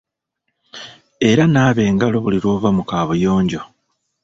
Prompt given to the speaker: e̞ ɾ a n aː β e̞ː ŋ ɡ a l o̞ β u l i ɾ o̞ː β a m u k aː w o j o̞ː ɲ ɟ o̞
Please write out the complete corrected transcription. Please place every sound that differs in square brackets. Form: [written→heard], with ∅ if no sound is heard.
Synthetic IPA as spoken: e̞ ɾ a n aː β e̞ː ŋ ɡ a l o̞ β u l i ɾ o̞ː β a m u k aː [w→β] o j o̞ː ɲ ɟ o̞